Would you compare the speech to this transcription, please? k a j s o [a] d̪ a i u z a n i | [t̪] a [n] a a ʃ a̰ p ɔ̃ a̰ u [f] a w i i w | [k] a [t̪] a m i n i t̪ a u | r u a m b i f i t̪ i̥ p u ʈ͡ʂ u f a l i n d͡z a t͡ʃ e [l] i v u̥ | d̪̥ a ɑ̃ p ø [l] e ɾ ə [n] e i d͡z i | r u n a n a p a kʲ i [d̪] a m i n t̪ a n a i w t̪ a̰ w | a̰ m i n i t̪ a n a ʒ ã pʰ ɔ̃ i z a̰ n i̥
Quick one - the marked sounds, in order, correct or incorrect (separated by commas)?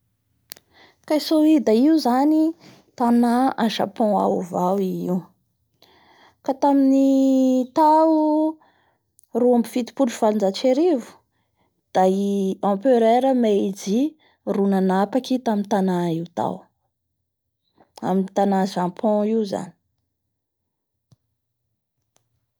incorrect, correct, correct, incorrect, correct, correct, incorrect, incorrect, incorrect, incorrect